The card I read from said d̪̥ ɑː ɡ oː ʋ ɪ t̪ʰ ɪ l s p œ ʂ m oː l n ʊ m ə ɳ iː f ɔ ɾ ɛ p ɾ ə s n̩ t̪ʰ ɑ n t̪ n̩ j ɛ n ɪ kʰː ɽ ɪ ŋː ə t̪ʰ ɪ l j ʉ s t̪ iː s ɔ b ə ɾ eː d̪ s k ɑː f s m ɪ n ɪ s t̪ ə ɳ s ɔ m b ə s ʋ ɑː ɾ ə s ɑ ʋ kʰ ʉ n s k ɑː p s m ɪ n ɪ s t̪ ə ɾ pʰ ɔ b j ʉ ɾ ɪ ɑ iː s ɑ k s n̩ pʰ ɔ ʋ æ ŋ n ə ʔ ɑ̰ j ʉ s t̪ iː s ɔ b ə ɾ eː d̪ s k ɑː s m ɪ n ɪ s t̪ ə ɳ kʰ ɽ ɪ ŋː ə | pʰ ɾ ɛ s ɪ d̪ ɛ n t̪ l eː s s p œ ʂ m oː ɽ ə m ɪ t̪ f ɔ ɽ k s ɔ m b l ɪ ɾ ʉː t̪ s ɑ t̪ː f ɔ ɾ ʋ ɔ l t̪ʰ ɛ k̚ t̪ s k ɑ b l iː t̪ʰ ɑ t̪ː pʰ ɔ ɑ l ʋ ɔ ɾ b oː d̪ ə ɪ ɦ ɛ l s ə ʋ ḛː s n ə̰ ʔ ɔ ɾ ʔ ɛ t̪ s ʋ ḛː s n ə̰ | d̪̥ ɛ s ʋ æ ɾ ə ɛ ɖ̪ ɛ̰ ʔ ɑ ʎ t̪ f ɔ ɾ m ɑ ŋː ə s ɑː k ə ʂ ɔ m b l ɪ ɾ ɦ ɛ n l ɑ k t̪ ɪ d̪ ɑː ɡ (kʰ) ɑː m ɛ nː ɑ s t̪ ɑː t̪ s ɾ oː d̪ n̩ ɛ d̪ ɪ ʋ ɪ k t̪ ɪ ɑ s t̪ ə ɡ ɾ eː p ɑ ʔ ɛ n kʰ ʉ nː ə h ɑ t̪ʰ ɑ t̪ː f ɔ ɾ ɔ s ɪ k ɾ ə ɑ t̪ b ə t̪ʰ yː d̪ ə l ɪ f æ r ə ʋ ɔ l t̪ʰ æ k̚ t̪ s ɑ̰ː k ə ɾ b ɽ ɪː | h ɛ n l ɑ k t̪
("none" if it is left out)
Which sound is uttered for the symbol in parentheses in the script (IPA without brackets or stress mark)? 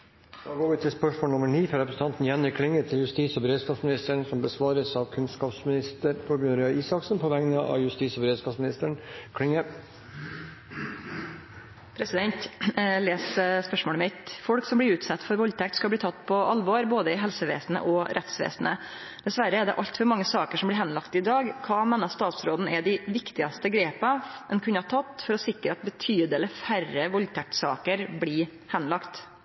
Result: kʰ